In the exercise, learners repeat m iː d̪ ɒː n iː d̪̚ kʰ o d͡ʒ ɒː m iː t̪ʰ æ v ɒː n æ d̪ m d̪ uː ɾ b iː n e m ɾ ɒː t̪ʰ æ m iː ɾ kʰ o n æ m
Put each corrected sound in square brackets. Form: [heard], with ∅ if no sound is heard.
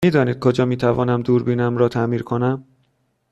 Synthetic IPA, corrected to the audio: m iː d̪ ɒː n iː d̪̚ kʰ o d͡ʒ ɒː m iː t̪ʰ æ v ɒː n æ [∅] m d̪ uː ɾ b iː n [æ] m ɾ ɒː t̪ʰ æ m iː ɾ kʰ o n æ m

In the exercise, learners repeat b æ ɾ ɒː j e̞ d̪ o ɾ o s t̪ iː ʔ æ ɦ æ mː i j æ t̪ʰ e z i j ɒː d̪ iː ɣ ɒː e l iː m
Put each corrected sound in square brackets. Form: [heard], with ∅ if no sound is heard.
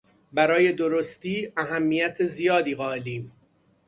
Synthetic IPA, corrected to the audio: b æ ɾ ɒː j e̞ d̪ o ɾ o s t̪ iː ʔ æ ɦ æ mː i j æ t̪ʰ e z i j ɒː d̪ iː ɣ ɒː e l iː m

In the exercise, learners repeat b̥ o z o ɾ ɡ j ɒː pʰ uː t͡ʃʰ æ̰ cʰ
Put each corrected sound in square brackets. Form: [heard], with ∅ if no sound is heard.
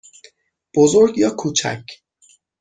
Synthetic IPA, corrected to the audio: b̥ o z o ɾ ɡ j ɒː [kʰ] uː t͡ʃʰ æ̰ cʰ

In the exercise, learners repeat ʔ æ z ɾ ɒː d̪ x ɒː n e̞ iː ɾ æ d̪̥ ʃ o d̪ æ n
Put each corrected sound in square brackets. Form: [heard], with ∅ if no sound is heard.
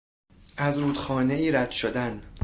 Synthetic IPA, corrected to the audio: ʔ æ z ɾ [uː] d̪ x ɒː n e̞ iː ɾ æ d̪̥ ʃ o d̪ æ n

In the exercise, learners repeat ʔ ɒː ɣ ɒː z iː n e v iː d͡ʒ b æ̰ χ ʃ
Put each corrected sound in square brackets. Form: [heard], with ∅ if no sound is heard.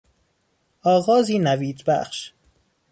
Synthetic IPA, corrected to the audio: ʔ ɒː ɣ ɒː z iː n [æ] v iː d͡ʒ b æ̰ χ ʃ

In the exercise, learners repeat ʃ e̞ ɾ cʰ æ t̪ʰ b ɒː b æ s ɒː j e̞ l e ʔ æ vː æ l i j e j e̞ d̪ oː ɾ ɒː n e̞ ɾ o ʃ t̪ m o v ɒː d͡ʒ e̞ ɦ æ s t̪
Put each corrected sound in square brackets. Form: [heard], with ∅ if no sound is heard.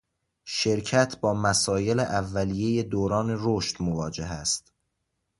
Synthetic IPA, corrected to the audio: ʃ e̞ ɾ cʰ æ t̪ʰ b ɒː [m] æ s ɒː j e̞ l e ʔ æ vː æ l i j e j e̞ d̪ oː ɾ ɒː n e̞ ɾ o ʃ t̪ m o v ɒː d͡ʒ e̞ ɦ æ s t̪

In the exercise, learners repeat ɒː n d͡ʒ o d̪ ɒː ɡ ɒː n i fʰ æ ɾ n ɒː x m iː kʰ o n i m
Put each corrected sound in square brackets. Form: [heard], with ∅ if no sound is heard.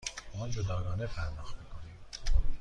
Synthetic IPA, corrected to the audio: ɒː n d͡ʒ o d̪ ɒː ɡ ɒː n [e] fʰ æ ɾ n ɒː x m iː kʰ o n i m

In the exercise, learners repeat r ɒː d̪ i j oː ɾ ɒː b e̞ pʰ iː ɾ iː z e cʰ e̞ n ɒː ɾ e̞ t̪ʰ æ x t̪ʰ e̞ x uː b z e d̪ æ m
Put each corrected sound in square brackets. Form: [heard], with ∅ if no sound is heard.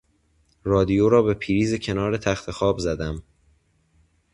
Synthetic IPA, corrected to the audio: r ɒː d̪ i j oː ɾ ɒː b e̞ pʰ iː ɾ iː z e cʰ e̞ n ɒː ɾ e̞ t̪ʰ æ x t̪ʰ e̞ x [ɒː] b z [æ] d̪ æ m

